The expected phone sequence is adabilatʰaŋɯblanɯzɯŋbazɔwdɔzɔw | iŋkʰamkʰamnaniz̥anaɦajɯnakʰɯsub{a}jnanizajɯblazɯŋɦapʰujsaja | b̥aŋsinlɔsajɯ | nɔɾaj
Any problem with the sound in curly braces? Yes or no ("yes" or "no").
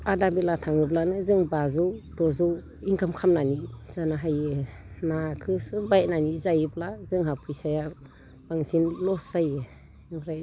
no